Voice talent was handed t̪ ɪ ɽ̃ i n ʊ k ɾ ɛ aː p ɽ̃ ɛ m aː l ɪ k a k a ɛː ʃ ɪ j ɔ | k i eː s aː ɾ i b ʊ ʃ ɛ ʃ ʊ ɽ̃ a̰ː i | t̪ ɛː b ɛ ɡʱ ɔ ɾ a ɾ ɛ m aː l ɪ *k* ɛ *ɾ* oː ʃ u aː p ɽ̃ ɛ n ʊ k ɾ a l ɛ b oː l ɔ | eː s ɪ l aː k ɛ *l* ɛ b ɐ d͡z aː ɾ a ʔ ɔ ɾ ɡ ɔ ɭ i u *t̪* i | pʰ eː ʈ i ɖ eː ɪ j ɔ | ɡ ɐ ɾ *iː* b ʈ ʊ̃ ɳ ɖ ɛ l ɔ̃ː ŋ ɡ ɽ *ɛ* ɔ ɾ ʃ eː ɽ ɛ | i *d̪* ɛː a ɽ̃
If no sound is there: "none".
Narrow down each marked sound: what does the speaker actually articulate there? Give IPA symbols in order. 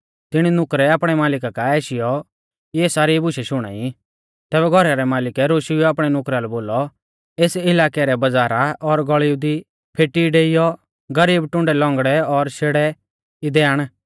k, ɾ, ɾ, d̪, iː, ɛ, d̪

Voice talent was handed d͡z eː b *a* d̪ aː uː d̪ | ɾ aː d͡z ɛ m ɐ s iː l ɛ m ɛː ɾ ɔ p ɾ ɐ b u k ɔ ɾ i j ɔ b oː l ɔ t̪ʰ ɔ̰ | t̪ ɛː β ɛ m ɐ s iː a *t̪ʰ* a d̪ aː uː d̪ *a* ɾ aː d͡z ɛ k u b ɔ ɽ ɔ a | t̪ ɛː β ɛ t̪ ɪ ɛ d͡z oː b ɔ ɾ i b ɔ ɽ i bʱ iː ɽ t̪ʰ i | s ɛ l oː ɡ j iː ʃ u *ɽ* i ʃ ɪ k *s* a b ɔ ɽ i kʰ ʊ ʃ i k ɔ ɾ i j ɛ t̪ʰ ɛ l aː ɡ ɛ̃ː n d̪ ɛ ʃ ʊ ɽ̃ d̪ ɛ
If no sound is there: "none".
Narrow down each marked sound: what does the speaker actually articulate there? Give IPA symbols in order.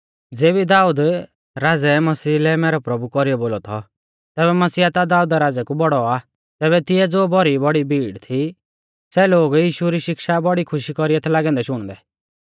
i, t̪, a, ɾ, ʃ

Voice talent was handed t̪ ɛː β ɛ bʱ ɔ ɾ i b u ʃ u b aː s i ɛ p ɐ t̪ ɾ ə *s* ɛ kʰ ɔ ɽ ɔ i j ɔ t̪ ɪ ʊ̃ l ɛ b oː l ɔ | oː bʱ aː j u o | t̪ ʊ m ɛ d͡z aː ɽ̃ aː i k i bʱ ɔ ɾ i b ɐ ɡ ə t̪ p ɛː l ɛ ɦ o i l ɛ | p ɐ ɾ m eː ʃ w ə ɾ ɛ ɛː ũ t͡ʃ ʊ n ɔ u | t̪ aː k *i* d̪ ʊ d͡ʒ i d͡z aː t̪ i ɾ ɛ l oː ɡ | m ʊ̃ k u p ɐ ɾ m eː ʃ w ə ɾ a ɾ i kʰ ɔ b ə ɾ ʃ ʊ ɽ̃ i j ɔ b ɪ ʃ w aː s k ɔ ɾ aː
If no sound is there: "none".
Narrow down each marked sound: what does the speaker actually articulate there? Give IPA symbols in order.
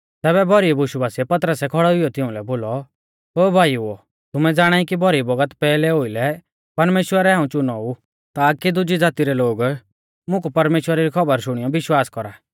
s, i

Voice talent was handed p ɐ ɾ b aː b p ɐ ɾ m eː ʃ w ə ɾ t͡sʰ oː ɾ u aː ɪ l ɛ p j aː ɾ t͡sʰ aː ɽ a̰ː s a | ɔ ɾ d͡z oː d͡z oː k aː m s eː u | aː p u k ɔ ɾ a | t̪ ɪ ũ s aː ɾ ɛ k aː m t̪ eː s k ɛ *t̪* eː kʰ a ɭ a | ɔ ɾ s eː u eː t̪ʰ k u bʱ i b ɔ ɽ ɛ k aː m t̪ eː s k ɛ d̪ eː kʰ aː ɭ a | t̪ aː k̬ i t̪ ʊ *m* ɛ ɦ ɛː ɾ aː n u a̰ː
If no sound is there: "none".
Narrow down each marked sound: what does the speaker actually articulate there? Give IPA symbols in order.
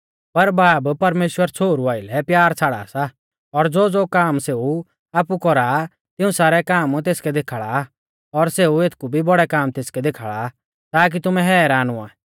d̪, m

